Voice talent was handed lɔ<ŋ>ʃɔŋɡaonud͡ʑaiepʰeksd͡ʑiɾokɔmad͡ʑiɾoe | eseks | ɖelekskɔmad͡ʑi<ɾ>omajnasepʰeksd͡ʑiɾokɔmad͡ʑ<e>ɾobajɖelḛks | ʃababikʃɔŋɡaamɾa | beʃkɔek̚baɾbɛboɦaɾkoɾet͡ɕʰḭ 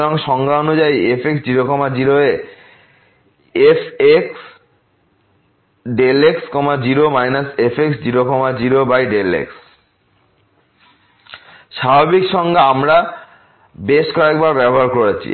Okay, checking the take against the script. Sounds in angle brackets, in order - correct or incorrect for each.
correct, correct, incorrect

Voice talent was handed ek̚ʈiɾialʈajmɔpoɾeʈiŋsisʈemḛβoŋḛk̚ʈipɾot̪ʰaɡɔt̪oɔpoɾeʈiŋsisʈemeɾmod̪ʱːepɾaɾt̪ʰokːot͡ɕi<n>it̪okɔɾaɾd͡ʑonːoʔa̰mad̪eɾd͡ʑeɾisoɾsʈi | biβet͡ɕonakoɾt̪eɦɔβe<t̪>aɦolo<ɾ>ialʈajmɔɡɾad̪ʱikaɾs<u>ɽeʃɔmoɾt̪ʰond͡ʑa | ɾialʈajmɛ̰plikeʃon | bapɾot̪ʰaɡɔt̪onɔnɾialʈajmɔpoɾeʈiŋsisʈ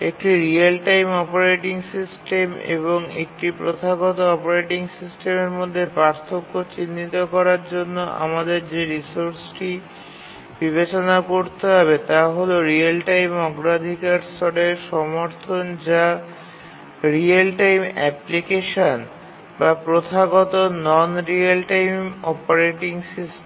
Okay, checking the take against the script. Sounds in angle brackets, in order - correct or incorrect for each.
incorrect, correct, correct, incorrect

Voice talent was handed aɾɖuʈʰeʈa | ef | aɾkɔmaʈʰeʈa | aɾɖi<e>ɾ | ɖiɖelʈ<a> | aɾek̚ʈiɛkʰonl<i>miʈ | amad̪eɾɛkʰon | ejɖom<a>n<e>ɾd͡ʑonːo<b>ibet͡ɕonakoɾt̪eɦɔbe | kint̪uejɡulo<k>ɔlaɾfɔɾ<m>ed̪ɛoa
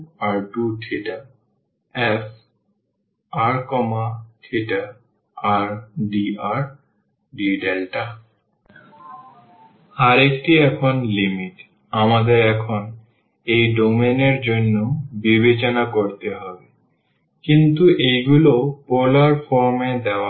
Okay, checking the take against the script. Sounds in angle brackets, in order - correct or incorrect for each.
incorrect, correct, correct, incorrect, correct, correct, incorrect, correct

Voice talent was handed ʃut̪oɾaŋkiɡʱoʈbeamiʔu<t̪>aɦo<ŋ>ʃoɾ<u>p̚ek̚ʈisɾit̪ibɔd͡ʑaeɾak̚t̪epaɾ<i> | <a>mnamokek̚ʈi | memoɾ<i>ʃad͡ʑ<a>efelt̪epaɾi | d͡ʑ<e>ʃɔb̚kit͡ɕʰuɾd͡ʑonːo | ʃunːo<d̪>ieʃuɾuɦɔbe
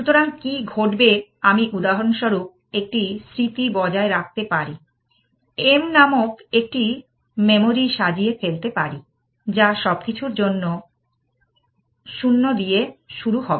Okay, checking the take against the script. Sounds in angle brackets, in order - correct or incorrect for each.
incorrect, incorrect, correct, correct, incorrect, correct, incorrect, incorrect, correct

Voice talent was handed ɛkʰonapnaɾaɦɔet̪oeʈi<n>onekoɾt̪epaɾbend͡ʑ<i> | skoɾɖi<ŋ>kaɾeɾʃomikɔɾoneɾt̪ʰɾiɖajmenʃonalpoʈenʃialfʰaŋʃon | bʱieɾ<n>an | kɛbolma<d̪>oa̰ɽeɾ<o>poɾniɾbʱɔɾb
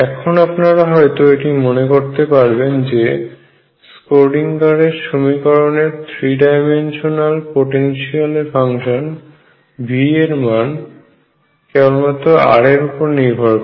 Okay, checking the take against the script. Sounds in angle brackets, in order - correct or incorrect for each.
incorrect, incorrect, correct, incorrect, incorrect, incorrect

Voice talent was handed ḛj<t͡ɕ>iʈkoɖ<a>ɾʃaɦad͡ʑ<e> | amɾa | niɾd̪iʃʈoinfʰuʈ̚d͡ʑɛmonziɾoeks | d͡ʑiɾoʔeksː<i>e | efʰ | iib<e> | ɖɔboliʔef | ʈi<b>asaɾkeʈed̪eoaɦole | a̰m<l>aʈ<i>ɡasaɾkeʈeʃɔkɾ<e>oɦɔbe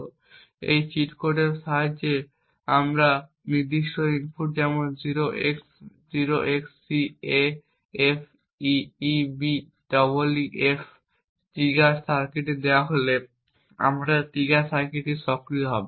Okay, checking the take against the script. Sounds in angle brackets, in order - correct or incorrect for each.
correct, incorrect, correct, correct, incorrect, incorrect, incorrect, correct, incorrect

